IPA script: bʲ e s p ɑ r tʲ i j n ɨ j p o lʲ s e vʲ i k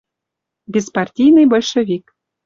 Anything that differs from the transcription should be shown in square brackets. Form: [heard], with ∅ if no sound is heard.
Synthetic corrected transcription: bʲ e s p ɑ r tʲ i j n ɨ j [b] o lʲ [ʃ] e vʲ i k